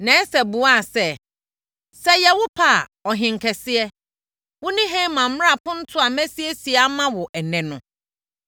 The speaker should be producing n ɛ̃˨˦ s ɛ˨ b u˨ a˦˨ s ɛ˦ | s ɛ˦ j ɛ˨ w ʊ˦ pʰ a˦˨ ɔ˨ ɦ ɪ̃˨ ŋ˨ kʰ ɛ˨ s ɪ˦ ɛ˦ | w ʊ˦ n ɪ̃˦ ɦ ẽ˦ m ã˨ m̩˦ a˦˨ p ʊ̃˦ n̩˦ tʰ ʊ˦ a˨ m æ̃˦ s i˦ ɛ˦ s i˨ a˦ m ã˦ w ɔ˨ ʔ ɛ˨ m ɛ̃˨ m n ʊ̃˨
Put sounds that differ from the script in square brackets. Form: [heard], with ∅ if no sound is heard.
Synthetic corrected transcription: n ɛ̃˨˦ s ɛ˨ b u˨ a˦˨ s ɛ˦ | s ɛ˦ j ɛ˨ w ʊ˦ pʰ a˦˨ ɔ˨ ɦ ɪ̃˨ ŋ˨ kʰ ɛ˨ s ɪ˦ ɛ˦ | w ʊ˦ n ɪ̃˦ ɦ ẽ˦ m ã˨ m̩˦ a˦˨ p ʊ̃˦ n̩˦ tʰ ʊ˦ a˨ m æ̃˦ s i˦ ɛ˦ s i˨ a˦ m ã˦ w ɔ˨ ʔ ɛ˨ [n] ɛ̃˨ [∅] n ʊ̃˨

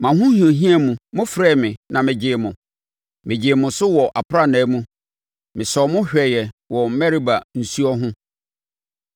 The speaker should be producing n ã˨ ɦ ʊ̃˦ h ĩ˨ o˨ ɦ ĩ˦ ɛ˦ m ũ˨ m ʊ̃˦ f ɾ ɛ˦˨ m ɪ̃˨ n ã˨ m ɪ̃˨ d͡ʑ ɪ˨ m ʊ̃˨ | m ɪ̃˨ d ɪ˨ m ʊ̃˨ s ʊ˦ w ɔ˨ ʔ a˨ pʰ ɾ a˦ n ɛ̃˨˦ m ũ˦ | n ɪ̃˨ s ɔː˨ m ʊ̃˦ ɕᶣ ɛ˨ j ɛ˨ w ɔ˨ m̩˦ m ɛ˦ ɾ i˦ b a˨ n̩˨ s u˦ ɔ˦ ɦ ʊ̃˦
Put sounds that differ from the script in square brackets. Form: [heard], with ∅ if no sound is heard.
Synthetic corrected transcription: [m] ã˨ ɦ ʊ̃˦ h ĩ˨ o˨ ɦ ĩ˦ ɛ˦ m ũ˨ m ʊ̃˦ f ɾ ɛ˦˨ m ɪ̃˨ n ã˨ m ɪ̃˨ d͡ʑ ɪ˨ m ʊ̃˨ | m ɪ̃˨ [d͡ʑ] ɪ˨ m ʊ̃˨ s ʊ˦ w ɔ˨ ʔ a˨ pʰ ɾ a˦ n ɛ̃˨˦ m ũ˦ | [m] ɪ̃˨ s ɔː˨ m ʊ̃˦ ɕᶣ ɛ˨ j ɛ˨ w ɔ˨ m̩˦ m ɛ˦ ɾ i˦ b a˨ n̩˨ s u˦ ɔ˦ ɦ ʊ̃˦

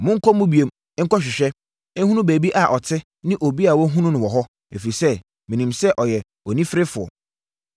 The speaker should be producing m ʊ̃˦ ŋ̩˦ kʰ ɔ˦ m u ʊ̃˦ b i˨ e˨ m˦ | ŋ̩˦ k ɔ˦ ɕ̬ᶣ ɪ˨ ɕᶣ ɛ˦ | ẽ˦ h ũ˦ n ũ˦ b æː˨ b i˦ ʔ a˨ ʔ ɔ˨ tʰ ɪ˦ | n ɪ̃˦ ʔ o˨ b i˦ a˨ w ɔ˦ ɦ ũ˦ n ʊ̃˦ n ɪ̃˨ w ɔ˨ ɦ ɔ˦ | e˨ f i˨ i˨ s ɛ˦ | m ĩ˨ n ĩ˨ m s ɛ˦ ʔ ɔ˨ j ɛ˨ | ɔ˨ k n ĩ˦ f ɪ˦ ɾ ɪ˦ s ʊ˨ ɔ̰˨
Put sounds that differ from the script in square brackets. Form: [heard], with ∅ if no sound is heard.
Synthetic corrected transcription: m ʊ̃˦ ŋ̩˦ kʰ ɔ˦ m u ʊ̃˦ b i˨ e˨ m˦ | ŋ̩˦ k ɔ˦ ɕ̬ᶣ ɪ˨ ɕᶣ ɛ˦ | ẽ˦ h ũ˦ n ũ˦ b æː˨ b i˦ ʔ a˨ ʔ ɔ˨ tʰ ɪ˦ | n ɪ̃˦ ʔ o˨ b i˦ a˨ w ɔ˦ ɦ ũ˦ n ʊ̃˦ n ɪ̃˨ w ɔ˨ ɦ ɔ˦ | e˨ f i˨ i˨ s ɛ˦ | m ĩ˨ n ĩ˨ m s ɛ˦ ʔ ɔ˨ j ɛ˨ | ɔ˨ [∅] n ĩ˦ f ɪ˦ ɾ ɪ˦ [f] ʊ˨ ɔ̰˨

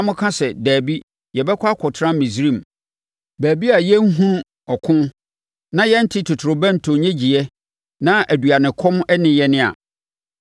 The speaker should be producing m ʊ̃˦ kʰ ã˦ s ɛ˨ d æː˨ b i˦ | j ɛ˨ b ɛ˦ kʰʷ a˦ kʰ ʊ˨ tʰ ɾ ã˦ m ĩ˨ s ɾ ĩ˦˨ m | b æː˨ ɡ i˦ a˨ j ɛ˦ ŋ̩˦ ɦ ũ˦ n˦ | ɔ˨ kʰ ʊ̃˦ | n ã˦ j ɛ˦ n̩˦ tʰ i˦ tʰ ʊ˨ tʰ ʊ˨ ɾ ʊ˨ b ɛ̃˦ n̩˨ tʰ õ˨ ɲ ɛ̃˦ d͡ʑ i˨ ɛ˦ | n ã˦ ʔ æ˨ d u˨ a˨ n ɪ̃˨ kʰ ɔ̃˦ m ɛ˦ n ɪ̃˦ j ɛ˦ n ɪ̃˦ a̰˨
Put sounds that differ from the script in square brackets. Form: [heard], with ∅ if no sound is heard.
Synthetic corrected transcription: m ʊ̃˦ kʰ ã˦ s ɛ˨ d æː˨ b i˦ | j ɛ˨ b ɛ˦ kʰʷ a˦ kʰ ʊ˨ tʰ ɾ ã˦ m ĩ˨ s ɾ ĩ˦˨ m | b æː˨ [b] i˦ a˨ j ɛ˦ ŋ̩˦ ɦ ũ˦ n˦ | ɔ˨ kʰ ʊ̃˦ | n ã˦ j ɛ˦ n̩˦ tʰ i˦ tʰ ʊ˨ tʰ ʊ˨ ɾ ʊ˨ b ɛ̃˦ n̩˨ tʰ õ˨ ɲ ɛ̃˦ d͡ʑ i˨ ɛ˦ | n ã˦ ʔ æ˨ d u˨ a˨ n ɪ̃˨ kʰ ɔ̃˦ m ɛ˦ n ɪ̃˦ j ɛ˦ n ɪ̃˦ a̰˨

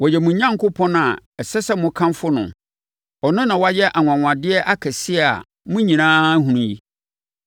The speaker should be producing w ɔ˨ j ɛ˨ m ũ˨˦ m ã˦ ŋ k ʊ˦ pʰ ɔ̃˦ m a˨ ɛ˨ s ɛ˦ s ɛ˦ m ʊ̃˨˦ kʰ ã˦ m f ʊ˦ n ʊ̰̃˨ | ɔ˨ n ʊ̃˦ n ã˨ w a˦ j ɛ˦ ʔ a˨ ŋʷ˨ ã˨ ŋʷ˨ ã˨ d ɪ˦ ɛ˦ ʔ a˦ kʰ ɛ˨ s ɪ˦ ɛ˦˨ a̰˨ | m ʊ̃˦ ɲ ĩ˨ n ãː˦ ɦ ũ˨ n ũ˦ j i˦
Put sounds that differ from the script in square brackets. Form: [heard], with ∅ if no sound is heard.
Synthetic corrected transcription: w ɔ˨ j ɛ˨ m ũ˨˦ [ɲ] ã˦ ŋ k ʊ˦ pʰ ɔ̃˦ [n] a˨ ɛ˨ s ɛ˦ s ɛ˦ m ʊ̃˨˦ kʰ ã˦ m f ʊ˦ n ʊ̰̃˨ | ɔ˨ n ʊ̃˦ n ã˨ w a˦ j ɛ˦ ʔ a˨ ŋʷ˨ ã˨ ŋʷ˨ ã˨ d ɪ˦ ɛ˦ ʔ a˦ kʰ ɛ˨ s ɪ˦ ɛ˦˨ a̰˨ | m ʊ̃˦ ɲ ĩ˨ n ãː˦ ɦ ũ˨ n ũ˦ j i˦

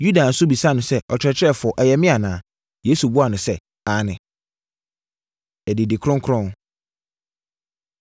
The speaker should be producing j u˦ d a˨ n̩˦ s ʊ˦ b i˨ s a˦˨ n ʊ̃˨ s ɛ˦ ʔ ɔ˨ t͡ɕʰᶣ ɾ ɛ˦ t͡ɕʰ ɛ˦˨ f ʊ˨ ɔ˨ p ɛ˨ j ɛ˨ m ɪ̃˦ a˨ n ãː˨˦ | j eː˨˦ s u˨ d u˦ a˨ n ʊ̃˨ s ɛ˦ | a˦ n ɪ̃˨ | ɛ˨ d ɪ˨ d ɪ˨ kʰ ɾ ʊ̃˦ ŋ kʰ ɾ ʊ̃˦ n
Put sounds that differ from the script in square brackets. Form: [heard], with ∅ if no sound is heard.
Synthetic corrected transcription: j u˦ d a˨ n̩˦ s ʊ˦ b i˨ s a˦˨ n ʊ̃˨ s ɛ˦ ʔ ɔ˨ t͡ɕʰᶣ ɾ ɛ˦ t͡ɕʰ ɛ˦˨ f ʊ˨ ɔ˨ [ʔ] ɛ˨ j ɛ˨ m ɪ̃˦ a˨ n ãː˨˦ | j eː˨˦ s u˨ [b] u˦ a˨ n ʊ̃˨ s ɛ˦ | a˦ n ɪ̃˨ | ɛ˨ d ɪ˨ d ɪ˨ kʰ ɾ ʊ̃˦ ŋ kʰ ɾ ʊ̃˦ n

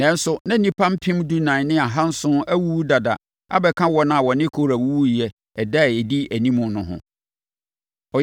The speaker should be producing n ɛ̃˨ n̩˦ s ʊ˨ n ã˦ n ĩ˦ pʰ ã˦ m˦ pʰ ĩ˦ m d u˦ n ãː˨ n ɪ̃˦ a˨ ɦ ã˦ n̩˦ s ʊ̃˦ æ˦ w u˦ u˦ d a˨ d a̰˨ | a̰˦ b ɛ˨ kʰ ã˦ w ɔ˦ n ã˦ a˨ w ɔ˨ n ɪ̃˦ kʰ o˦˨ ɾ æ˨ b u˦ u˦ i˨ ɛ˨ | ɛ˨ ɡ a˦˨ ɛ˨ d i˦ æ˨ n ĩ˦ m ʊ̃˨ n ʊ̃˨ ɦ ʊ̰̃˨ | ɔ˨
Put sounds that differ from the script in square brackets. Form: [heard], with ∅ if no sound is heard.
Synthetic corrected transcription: n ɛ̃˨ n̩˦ s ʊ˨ n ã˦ n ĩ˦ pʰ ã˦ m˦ pʰ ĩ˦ m d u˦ n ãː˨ n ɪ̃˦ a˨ ɦ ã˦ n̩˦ s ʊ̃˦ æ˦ w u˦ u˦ d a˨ d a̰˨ | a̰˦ b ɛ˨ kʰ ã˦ w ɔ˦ n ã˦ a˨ w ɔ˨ n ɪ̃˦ kʰ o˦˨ ɾ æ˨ [w] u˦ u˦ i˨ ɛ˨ | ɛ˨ [d] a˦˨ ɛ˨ d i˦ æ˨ n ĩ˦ m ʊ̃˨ n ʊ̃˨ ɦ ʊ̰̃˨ | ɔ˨

